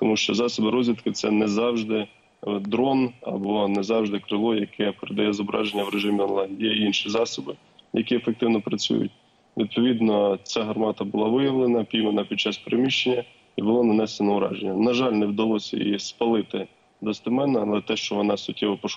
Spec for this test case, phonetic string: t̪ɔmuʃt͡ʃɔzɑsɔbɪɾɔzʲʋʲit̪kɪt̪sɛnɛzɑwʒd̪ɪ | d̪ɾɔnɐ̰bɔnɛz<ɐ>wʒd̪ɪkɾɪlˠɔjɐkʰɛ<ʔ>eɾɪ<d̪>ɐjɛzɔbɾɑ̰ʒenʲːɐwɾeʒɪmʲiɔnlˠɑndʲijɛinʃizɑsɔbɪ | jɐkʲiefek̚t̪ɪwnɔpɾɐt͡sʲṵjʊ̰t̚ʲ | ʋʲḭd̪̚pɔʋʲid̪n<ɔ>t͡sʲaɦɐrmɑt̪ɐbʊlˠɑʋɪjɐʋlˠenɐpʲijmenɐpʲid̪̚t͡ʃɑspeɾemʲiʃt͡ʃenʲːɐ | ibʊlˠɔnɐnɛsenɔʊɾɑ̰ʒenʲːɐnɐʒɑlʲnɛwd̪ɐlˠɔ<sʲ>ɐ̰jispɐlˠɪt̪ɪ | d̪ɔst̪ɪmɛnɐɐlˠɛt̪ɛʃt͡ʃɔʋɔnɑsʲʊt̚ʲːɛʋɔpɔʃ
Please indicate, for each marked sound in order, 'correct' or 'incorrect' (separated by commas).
incorrect, incorrect, correct, correct, correct